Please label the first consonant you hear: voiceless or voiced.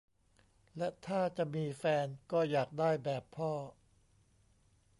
voiced